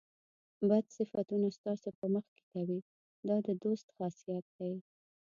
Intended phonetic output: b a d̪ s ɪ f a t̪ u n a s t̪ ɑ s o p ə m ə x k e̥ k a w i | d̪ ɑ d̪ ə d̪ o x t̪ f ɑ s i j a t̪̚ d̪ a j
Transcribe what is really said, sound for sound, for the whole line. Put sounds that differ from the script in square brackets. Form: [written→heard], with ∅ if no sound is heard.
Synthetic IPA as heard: b a d̪ s ɪ f a t̪ u n a s t̪ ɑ s o p ə m ə x k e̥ k a w i | d̪ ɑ d̪ ə d̪ o [x→s] t̪ [f→x] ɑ s i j a t̪̚ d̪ a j